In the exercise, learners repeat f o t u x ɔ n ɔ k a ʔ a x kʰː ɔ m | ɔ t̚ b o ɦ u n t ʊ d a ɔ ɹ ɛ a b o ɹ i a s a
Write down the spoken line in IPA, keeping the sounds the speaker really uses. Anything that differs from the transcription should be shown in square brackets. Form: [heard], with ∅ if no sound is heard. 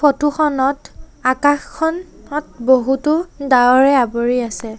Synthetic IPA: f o t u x ɔ n ɔ [t] a [k] a x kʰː ɔ [n] | ɔ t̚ b o ɦ u [∅] t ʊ d a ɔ ɹ ɛ a b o ɹ i a s [ɛ]